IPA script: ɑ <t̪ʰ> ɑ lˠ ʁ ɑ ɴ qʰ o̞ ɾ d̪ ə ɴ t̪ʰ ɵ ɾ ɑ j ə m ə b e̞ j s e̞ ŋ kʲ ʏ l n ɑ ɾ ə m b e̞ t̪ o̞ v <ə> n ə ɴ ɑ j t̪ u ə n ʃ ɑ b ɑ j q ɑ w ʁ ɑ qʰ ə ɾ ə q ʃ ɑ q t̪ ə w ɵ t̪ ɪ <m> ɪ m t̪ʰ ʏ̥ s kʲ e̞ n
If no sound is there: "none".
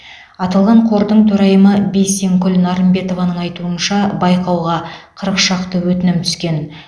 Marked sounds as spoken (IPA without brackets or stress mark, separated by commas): t̪, ɑ, n